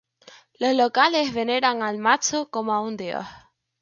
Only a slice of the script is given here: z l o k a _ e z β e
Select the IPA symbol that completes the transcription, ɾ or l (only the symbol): l